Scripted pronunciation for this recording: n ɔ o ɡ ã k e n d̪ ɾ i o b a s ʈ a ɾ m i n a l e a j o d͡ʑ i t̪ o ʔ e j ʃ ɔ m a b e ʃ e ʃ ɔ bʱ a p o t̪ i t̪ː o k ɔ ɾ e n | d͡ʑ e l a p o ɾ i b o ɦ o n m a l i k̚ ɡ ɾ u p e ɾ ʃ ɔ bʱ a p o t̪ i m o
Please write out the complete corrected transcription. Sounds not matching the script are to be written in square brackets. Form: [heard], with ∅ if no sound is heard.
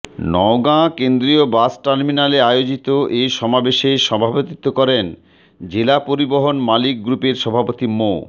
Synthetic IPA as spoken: n ɔ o ɡ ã k e n d̪ ɾ i o b a s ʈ a ɾ m i n a l e a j o d͡ʑ i t̪ o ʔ e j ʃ ɔ m a b e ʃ e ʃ ɔ bʱ a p o t̪ i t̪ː o k ɔ ɾ e n | d͡ʑ e l a p o ɾ i b o ɦ o n m a l i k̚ ɡ ɾ u p e ɾ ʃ ɔ bʱ a p o t̪ i m o

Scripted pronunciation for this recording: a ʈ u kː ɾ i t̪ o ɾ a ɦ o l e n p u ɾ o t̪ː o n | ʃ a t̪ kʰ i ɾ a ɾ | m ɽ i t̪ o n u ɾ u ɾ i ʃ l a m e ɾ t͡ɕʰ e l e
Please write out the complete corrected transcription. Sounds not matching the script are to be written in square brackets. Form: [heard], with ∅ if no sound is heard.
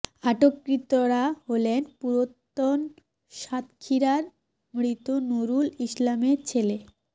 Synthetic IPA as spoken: a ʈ [o] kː ɾ i t̪ o ɾ a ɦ o l e n p u ɾ o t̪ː o n | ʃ a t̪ kʰ i ɾ a ɾ | m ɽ i t̪ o n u ɾ u [l] i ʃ l a m e ɾ t͡ɕʰ e l e

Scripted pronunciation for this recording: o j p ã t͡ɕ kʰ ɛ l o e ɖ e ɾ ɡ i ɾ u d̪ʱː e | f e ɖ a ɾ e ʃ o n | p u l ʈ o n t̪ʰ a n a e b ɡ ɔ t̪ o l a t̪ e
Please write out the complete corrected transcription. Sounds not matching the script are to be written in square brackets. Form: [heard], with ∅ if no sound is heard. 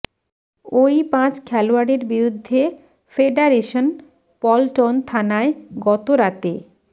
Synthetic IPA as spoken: o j p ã t͡ɕ kʰ ɛ l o [a] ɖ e ɾ [b] i ɾ u d̪ʱː e | f e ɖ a ɾ e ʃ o n | p [ɔ] l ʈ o n t̪ʰ a n a e [∅] ɡ ɔ t̪ o [ɾ] a t̪ e

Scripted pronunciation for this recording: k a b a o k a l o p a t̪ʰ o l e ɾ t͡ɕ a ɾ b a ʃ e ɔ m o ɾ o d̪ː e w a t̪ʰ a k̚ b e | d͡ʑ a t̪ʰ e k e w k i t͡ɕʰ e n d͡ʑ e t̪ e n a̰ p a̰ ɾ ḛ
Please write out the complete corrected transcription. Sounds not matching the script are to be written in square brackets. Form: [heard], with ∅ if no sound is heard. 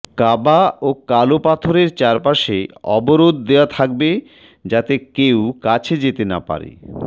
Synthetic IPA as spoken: k a b a o k a l o p a t̪ʰ o [ɾ] e ɾ t͡ɕ a ɾ [p] a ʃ e ɔ [b] o ɾ o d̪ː e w a t̪ʰ a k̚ b e | d͡ʑ a [t̪] e k e w k [a] t͡ɕʰ e [∅] d͡ʑ e t̪ e n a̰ p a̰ ɾ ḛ

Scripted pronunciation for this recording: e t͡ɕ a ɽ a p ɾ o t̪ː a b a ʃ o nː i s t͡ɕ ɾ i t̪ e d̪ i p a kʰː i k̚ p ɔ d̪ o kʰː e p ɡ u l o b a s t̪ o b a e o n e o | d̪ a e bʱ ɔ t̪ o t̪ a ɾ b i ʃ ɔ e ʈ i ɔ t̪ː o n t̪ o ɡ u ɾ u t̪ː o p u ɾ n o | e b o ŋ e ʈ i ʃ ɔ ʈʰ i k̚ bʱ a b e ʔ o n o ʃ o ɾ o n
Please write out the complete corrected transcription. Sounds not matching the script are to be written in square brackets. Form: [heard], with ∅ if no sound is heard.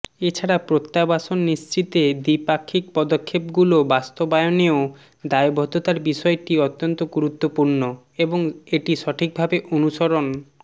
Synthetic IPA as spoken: e [t͡ɕʰ] a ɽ a p ɾ o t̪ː a b a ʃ o nː i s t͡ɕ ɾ i t̪ e d̪ i p a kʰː i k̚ p ɔ d̪ o kʰː e p ɡ u l o b a s t̪ o b a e o n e o | d̪ a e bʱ ɔ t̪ o t̪ a ɾ b i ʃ ɔ e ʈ i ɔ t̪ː o n t̪ o ɡ u ɾ u t̪ː o p u ɾ n o | e b o ŋ e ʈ i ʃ ɔ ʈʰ i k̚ bʱ a b e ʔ o n [u] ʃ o ɾ o n

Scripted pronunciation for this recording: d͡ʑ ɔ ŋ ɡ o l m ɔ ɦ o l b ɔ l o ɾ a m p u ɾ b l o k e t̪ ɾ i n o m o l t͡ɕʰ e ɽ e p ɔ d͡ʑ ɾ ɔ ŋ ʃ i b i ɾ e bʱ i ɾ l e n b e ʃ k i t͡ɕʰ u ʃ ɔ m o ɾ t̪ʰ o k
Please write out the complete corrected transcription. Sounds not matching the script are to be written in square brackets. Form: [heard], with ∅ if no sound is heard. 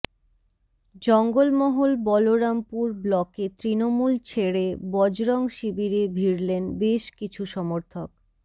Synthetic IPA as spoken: d͡ʑ ɔ ŋ ɡ o l m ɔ ɦ o l b ɔ l o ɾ a m p u ɾ b l [ɔ] k e t̪ ɾ i n o m [u] l t͡ɕʰ e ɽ e [b] ɔ d͡ʑ ɾ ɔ ŋ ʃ i b i ɾ e bʱ i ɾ l e n b e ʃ k i t͡ɕʰ u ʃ ɔ m o ɾ t̪ʰ o k

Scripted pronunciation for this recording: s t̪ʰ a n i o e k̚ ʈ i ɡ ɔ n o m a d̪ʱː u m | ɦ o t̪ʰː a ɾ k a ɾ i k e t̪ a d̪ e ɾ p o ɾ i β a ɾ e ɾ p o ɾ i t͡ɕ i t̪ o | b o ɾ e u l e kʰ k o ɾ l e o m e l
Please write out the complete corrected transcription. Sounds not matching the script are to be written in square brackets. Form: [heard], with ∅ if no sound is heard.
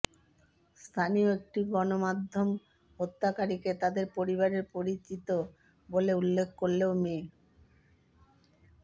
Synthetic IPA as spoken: s t̪ʰ a n i o e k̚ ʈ i ɡ ɔ n o m a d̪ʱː [o] m | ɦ o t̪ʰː a [∅] k a ɾ i k e t̪ a d̪ e ɾ p o ɾ i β a ɾ e ɾ p o ɾ i t͡ɕ i t̪ o | b o [l] e u [lː] e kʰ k o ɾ l e o m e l

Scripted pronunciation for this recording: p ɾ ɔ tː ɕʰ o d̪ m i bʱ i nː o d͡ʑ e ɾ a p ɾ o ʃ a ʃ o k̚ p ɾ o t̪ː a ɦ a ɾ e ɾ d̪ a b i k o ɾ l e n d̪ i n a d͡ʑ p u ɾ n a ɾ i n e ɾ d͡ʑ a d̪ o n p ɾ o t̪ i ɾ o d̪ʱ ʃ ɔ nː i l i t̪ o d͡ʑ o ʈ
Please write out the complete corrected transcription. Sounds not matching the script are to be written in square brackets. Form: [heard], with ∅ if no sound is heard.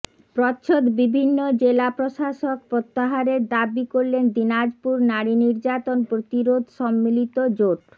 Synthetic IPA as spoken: p ɾ ɔ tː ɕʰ o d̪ [b] i bʱ i nː o d͡ʑ e [l] a p ɾ o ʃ a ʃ o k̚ p ɾ o t̪ː a ɦ a ɾ e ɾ d̪ a b i k o ɾ l e n d̪ i n a d͡ʑ p u ɾ n a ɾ i n [i] ɾ d͡ʑ a [t̪] o n p ɾ o t̪ i ɾ o d̪ʱ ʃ ɔ [mː] i l i t̪ o d͡ʑ o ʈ

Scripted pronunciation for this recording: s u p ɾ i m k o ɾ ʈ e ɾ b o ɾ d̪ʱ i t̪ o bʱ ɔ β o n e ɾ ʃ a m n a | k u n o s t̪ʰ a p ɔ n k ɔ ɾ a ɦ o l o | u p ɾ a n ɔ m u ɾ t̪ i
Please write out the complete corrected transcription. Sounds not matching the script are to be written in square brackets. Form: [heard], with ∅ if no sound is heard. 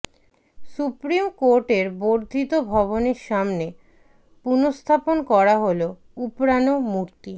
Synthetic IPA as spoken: s u p ɾ i m k o ɾ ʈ e ɾ b o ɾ d̪ʱ i t̪ o bʱ ɔ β o n e ɾ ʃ a m n [e] | [p] u n o s t̪ʰ a p [o] n k ɔ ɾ a ɦ o l o | u p ɾ a n [o] m u ɾ t̪ i

